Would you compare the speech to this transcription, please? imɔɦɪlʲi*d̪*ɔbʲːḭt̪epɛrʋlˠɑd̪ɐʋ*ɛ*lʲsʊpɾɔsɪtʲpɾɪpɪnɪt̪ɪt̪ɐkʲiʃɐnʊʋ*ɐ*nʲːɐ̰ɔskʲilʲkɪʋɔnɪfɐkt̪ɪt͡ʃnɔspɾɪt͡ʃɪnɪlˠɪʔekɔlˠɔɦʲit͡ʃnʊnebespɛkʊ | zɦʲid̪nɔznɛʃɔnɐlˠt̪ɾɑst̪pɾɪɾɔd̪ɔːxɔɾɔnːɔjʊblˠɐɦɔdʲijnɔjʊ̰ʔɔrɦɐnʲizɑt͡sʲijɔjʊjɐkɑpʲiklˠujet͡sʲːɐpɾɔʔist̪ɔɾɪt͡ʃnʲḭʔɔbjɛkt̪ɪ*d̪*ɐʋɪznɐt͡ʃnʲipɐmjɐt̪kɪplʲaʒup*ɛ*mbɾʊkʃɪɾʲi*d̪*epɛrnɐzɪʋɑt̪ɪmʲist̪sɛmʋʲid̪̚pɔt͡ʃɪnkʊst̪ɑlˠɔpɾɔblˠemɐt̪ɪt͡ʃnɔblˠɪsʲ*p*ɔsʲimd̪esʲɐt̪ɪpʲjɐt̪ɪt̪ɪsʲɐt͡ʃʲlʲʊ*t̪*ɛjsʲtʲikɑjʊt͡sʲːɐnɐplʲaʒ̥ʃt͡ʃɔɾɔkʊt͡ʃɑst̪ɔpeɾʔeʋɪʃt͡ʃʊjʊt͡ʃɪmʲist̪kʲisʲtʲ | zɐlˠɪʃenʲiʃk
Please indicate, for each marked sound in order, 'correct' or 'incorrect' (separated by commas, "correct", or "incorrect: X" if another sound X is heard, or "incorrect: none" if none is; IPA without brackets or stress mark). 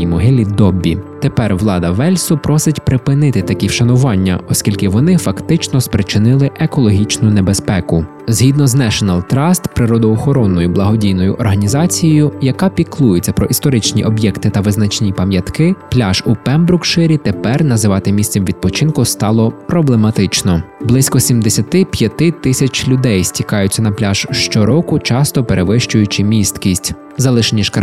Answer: correct, correct, incorrect: ɑ, incorrect: t̪, correct, incorrect: t̪, incorrect: k, incorrect: d̪